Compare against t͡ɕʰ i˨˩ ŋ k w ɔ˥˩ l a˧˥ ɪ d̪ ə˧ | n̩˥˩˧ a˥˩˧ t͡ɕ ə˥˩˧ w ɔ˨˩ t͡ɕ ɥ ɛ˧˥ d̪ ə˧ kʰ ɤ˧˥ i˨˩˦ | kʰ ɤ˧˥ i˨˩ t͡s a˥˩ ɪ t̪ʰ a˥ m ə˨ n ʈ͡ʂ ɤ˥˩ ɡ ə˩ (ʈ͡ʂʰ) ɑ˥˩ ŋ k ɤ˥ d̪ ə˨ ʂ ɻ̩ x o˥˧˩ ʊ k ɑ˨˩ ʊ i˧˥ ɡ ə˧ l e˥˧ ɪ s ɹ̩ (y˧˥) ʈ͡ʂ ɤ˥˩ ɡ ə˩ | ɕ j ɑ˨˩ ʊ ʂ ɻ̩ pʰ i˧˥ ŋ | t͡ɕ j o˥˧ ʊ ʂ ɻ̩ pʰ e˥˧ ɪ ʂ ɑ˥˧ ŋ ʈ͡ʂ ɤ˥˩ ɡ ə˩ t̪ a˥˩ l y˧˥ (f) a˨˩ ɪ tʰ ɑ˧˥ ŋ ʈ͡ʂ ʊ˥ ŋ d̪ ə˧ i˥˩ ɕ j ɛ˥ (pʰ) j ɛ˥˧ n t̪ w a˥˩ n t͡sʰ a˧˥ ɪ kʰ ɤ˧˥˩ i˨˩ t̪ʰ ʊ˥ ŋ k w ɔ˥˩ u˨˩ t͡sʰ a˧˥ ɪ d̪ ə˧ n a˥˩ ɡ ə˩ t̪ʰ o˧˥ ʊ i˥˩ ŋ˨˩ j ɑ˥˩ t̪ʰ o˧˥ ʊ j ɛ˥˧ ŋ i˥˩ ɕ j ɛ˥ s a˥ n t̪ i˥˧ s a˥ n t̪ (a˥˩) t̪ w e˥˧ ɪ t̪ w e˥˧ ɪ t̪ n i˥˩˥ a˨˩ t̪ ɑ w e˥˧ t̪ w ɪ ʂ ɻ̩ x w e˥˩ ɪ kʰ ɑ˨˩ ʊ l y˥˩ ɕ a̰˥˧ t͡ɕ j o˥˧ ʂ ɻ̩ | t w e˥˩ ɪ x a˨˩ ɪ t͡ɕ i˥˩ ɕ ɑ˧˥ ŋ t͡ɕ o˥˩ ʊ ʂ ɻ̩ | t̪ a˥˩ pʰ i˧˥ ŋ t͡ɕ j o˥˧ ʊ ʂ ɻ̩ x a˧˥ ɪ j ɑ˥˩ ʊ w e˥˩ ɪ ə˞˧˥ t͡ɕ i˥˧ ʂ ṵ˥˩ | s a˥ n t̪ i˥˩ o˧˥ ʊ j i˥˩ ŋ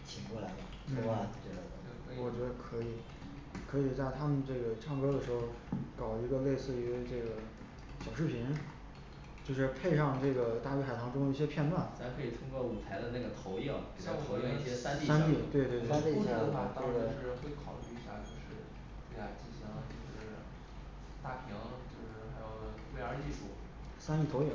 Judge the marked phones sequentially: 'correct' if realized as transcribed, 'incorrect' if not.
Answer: correct, correct, incorrect, correct, incorrect

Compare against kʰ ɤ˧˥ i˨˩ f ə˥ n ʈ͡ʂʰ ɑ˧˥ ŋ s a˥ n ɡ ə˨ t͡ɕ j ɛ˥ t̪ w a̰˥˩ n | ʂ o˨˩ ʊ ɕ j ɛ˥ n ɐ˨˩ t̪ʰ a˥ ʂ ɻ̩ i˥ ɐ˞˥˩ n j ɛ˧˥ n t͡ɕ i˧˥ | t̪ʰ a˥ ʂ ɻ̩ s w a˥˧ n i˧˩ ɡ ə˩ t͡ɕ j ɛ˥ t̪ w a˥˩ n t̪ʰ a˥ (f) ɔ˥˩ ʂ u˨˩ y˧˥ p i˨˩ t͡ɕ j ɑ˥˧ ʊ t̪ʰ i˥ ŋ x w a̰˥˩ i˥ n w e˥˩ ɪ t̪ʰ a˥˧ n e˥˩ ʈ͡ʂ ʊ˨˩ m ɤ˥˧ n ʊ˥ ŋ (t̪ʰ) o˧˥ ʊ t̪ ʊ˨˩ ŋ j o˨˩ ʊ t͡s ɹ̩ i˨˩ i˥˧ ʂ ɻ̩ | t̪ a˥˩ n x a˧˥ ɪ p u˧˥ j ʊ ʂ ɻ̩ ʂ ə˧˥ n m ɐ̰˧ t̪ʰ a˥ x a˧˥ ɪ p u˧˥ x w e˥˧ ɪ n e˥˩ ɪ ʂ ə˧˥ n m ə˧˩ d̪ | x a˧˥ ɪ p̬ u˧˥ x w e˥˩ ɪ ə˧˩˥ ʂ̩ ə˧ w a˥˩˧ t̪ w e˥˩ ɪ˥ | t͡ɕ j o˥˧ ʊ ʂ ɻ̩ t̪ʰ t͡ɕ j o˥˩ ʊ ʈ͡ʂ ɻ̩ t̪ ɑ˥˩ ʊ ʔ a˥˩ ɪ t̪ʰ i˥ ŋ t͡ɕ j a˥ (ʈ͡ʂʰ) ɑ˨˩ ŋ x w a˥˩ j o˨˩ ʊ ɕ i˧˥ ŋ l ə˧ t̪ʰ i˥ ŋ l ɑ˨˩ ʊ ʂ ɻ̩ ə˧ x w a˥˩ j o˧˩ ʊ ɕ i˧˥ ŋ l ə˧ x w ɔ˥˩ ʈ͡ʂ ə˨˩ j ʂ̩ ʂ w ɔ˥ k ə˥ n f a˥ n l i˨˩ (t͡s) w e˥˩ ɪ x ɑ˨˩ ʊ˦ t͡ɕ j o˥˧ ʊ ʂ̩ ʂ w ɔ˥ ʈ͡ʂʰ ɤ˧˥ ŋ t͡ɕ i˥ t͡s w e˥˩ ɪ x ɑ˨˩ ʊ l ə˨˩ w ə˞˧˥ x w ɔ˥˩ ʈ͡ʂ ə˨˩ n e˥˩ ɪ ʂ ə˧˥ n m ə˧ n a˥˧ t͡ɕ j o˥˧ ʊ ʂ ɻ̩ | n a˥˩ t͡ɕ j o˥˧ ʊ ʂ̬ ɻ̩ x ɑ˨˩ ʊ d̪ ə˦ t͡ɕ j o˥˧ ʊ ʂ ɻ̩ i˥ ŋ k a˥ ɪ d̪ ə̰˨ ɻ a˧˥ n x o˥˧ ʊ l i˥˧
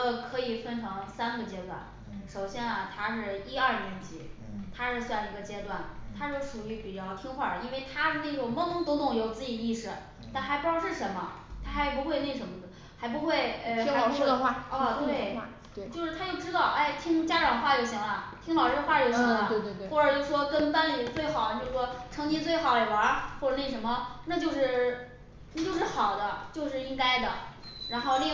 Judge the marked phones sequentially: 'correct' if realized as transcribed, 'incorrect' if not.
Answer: incorrect, incorrect, incorrect, correct

